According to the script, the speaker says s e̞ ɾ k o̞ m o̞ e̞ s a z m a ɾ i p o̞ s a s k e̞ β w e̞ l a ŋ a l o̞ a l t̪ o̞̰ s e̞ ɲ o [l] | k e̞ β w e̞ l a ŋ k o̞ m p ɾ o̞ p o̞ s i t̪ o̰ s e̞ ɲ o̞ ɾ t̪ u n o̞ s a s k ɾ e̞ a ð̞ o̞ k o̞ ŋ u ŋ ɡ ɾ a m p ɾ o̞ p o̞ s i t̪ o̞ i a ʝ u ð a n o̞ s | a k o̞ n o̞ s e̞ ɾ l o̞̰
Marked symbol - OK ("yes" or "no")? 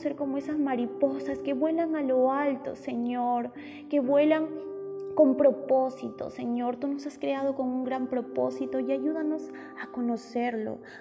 no